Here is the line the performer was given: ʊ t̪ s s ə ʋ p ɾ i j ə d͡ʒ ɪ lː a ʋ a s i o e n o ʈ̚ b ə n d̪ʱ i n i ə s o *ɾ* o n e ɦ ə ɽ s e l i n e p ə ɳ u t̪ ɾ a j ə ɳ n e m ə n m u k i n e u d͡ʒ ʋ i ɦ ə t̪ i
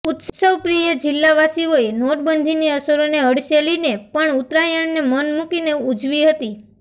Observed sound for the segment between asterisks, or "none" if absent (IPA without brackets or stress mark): ɾ